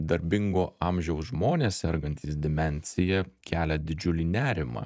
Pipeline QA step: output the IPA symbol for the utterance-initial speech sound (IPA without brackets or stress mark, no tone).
d̪